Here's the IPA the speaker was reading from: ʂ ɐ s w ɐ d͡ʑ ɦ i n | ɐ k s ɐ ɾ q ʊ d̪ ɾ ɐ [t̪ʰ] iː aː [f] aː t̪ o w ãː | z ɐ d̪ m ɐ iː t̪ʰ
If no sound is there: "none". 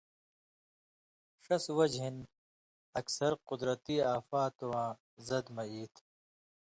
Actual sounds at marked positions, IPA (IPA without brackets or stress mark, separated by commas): t̪, f